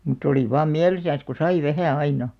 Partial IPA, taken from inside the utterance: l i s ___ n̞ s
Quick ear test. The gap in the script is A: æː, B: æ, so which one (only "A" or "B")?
B